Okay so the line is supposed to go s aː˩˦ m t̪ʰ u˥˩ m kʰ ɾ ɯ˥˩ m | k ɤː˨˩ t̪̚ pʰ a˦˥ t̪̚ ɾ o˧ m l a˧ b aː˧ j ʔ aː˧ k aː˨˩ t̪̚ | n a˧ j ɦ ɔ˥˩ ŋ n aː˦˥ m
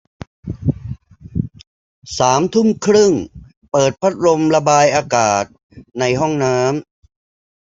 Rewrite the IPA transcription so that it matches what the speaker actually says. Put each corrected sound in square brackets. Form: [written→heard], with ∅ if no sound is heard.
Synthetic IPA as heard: s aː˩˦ m t̪ʰ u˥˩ m kʰ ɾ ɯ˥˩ [m→ŋ] | [k→p] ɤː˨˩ t̪̚ pʰ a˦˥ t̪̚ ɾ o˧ m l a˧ b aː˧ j ʔ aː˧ k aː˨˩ t̪̚ | n a˧ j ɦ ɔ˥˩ ŋ n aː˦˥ m